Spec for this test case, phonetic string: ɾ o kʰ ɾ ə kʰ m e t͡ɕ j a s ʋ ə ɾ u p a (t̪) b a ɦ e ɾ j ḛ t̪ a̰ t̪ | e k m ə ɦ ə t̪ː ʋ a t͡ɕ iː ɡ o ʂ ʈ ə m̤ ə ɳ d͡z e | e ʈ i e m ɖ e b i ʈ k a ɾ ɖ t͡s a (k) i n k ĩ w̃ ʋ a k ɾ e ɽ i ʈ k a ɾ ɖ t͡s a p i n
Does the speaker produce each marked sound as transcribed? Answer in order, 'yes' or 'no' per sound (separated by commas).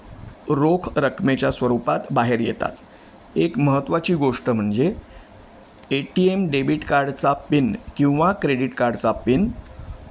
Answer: yes, no